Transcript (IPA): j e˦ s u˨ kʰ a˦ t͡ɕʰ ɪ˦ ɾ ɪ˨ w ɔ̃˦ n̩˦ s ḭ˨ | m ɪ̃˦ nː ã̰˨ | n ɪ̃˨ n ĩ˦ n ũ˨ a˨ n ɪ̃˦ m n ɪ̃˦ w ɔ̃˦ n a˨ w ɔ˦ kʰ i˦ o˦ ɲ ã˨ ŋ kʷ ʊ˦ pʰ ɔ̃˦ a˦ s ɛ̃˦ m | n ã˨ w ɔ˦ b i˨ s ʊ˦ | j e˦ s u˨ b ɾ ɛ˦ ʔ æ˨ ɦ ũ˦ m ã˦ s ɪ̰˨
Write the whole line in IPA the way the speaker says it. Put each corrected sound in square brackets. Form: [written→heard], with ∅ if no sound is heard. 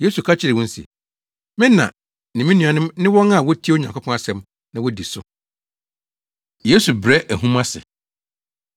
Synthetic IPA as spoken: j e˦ s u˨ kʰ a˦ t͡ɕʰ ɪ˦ ɾ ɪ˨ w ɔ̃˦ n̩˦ s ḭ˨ | m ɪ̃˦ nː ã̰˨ | n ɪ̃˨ [n→m] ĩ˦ n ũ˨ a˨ n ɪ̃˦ m n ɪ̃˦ w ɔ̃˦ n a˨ w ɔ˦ [kʰ→tʰ] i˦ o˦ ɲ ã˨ ŋ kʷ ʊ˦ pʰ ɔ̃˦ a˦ s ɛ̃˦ m | n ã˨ w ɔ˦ [b→d] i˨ s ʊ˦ | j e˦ s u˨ b ɾ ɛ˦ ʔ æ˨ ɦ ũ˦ m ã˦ s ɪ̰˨

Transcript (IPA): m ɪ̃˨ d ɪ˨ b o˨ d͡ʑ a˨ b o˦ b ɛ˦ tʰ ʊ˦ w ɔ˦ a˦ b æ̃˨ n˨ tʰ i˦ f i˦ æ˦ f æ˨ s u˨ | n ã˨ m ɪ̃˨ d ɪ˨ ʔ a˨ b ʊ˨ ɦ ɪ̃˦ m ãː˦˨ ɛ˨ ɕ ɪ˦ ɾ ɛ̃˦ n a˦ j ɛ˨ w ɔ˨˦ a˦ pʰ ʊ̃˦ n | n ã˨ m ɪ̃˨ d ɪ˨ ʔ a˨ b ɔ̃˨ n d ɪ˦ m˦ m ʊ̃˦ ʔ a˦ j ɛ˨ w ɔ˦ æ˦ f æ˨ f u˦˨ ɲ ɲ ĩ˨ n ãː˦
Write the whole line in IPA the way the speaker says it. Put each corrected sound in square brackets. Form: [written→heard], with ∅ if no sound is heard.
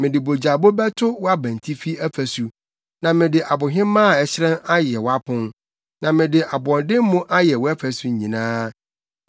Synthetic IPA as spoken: m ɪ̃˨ d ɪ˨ b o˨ d͡ʑ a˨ b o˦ b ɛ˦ tʰ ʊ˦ w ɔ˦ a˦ b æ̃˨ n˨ tʰ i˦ f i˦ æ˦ f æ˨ s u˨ | n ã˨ m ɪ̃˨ d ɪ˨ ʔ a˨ b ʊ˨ ɦ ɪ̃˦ m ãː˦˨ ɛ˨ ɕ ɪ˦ ɾ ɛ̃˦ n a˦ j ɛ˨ w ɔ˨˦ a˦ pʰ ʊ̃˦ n | n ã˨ m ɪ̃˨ d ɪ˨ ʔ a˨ b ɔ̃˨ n d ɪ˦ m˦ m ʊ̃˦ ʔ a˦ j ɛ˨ w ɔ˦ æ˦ f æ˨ [f→s] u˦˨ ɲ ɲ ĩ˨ n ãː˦

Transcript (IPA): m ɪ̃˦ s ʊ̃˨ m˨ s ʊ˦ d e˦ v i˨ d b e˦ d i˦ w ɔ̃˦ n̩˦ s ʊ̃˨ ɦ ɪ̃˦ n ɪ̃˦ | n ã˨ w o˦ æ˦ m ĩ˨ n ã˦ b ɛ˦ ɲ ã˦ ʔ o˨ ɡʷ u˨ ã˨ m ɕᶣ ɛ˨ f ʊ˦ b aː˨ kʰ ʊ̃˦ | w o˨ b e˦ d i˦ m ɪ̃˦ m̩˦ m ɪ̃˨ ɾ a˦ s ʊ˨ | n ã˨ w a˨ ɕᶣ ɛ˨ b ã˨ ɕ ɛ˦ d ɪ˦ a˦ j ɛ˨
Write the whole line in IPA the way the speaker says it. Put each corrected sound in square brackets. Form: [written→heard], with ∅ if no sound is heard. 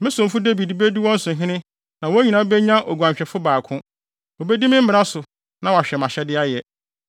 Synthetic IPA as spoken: m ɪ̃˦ s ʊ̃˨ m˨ [s→f] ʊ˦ d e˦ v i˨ d b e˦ d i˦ w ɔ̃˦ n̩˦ s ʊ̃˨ ɦ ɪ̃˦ n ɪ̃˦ | n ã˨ w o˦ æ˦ [m→ɲ] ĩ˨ n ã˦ b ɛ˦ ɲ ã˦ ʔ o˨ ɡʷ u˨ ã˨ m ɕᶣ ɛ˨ f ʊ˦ b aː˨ kʰ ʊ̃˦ | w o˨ b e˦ d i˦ m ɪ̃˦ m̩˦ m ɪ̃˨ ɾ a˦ s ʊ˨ | n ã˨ w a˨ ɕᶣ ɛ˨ [b→m] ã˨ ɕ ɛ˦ d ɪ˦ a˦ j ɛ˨

